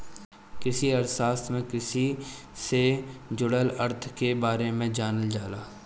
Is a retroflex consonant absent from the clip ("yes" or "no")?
no